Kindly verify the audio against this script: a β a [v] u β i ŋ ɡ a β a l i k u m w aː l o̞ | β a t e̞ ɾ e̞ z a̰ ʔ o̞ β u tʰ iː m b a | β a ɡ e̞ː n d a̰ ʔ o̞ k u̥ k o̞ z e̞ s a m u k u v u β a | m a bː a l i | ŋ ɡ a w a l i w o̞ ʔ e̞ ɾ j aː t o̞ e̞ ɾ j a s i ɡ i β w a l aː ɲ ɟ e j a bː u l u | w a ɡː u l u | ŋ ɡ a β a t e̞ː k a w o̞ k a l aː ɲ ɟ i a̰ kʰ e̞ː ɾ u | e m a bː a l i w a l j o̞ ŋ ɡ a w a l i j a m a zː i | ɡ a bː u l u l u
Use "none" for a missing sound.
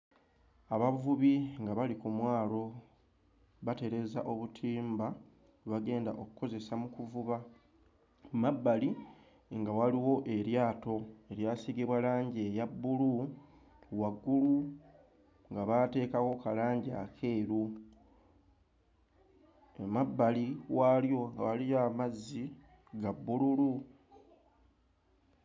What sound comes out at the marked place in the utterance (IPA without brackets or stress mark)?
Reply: v